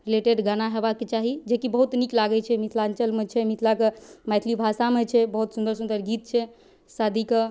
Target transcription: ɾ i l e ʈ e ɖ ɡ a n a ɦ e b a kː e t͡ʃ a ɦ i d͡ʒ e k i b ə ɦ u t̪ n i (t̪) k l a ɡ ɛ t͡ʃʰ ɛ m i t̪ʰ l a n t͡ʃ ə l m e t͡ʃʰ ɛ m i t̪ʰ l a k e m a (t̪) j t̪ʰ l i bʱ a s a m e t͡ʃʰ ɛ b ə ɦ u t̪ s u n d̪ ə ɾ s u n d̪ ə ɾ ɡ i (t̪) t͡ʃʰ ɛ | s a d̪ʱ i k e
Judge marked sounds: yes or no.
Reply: no, no, yes

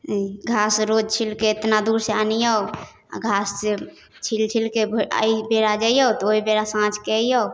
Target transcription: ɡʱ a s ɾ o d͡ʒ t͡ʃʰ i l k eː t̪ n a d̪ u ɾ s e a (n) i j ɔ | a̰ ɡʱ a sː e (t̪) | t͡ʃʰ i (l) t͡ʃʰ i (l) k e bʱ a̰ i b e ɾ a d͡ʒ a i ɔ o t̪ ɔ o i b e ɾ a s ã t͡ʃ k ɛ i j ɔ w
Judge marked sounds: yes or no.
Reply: yes, no, yes, yes

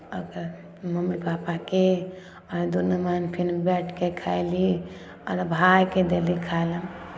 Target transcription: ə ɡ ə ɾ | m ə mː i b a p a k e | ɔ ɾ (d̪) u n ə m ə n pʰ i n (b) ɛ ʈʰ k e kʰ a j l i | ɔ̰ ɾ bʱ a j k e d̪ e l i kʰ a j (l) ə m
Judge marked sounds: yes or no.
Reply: yes, yes, yes

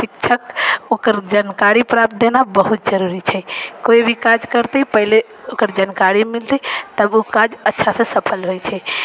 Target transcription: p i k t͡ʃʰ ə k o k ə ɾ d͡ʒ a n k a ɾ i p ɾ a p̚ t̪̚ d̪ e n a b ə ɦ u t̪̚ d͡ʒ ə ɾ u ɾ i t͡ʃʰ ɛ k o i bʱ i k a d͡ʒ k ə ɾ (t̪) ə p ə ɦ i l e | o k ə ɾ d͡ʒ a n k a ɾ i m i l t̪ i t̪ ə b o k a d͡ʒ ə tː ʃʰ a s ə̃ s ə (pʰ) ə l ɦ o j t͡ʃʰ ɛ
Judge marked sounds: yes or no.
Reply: yes, yes

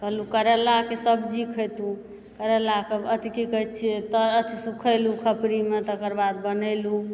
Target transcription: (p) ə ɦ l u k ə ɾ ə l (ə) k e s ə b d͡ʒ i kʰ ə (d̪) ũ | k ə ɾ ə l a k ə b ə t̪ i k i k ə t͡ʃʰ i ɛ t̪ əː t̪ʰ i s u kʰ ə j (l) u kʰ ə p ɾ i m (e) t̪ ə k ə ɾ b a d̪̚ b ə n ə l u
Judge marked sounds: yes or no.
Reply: no, no, no, yes, yes

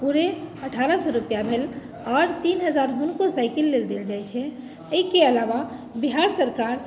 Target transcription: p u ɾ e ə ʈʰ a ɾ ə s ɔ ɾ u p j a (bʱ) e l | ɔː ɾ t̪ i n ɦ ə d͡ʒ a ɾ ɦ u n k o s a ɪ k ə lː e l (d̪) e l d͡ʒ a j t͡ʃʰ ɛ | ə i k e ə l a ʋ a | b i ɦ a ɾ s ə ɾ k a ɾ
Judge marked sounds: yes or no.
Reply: yes, yes

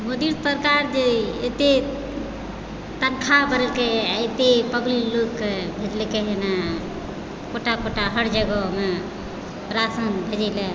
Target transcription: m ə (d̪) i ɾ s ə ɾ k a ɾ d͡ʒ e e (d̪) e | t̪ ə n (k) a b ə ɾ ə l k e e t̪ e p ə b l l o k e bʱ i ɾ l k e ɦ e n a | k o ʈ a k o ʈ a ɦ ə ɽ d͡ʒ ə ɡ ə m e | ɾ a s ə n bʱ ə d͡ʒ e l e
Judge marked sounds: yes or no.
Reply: yes, no, no

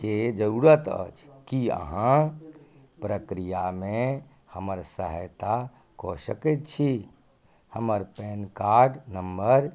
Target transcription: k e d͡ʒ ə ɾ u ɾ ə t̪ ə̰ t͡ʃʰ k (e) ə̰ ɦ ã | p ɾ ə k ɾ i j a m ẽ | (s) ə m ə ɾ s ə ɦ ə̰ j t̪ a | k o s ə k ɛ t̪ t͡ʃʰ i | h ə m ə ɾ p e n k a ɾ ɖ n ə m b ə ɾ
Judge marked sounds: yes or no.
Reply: no, no

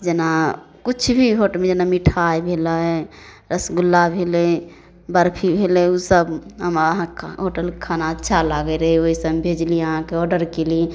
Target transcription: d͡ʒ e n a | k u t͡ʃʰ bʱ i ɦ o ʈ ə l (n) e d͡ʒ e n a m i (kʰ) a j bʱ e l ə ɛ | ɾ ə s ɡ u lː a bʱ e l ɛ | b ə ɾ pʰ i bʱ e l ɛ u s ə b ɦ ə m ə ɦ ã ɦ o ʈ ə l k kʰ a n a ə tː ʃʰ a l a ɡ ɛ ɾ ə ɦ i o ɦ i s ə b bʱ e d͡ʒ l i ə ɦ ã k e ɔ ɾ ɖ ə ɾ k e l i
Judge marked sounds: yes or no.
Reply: no, no

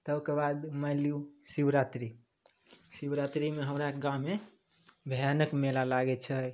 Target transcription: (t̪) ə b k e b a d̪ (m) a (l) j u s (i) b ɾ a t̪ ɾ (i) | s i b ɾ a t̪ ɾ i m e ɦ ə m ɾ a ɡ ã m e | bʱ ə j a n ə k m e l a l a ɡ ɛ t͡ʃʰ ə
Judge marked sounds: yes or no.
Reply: yes, yes, yes, yes, yes

